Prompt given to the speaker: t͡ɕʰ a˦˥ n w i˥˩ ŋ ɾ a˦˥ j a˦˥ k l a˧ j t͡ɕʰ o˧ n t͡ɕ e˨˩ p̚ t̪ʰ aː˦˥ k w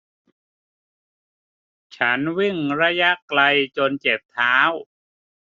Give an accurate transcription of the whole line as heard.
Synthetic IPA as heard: t͡ɕʰ a˦˥ n w i˥˩ ŋ ɾ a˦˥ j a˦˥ k l a˧ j t͡ɕ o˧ n t͡ɕ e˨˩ p̚ t̪ʰ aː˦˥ w